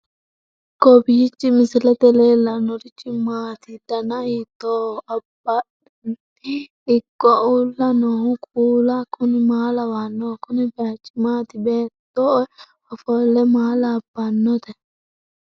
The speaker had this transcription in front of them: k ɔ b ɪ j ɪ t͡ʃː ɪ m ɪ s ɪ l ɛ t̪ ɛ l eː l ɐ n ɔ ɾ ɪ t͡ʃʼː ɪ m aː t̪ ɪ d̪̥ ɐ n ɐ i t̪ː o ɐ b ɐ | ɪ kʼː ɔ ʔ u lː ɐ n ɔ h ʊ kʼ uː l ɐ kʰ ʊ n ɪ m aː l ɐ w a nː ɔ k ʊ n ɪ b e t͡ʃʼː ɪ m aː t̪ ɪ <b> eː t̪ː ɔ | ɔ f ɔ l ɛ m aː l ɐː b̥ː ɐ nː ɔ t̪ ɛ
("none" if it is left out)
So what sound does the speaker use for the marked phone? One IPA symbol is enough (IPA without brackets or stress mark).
b